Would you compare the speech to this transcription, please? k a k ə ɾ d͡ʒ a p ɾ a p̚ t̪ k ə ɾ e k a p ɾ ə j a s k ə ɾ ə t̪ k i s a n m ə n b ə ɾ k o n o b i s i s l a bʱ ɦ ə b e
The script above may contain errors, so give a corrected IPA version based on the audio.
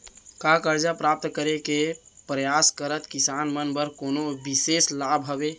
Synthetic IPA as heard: k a k ə ɾ d͡ʒ a p ɾ a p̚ t̪ k ə ɾ e k e p ɾ ə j a s k ə ɾ ə t̪ k i s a n m ə n b ə ɾ k o n o b i s e s l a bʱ ɦ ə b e